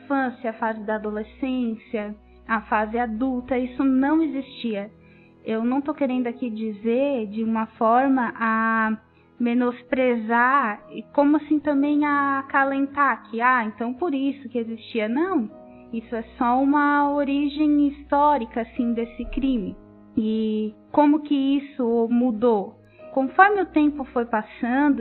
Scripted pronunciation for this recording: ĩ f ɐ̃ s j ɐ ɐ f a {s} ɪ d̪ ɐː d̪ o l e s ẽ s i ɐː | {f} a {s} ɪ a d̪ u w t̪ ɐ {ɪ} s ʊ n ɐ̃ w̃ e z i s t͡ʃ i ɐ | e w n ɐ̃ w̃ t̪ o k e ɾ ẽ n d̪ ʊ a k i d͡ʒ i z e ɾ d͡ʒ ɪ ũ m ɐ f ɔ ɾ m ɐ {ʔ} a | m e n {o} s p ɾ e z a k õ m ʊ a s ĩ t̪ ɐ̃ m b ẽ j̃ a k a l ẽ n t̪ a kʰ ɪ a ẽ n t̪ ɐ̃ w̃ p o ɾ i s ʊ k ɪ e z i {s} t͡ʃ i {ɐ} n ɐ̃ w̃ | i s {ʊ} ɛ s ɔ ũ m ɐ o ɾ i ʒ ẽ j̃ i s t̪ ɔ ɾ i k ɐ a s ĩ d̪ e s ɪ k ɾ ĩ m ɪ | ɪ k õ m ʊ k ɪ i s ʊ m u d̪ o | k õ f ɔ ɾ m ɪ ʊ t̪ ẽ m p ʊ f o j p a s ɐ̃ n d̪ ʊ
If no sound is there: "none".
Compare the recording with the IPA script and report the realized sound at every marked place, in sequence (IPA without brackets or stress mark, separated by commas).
z, f, z, i, ʔ, o, s, ɐ, ʊ